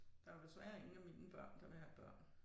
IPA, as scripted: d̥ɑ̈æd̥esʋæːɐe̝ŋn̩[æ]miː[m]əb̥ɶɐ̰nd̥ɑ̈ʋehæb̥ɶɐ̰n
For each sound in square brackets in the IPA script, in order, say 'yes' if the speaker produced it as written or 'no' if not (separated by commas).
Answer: yes, no